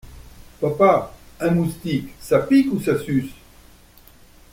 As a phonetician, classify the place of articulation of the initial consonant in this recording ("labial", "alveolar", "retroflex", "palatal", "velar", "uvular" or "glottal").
labial